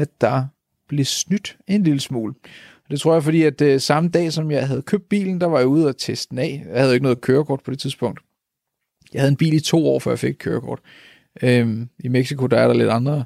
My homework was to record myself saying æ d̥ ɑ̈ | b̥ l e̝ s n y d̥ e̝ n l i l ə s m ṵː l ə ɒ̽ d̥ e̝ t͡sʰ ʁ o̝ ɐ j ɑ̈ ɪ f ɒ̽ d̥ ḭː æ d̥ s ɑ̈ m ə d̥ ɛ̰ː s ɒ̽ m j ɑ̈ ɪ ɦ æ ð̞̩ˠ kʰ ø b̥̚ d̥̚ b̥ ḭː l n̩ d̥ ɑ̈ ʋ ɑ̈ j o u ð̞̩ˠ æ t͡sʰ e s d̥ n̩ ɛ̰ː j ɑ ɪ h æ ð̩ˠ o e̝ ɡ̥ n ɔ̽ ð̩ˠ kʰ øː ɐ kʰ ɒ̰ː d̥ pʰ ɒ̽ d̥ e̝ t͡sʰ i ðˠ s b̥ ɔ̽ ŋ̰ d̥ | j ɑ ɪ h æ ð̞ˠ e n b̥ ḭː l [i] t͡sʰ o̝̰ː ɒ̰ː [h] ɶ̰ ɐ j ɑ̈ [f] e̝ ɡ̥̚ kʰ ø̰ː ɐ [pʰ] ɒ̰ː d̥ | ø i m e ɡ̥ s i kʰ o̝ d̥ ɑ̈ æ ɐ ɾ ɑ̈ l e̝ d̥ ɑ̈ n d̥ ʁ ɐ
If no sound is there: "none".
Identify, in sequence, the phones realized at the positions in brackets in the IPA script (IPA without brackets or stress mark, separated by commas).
i, f, f, kʰ